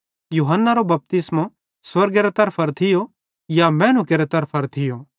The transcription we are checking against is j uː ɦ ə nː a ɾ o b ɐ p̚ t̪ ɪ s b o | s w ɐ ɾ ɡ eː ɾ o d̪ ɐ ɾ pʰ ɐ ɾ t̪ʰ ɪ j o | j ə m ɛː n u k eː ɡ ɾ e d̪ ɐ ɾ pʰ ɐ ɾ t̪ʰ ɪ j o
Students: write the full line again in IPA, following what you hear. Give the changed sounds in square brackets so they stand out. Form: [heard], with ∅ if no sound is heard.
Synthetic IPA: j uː ɦ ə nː a ɾ o b ɐ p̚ t̪ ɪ s [m] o | s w ɐ ɾ ɡ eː ɾ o [t̪] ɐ ɾ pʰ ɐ ɾ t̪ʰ ɪ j o | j [a] m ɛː n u k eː [∅] ɾ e [t̪] ɐ ɾ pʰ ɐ ɾ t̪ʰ ɪ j o